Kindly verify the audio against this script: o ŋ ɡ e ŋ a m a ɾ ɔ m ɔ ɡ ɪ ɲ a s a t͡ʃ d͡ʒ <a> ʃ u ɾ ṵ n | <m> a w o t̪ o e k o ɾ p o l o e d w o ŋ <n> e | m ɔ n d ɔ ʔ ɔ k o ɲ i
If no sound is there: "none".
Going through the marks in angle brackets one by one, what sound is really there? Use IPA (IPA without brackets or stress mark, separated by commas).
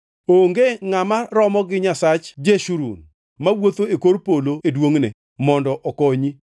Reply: e, m, n